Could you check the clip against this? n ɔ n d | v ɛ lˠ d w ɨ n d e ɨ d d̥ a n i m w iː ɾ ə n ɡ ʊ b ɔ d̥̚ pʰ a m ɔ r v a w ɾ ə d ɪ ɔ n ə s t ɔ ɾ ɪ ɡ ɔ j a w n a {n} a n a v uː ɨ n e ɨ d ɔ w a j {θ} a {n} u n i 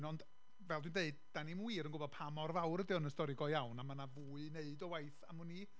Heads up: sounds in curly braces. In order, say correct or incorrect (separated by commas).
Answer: incorrect, correct, incorrect